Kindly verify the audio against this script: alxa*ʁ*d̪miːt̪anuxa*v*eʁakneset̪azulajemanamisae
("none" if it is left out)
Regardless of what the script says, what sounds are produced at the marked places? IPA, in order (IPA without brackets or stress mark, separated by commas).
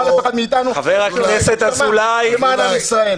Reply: none, v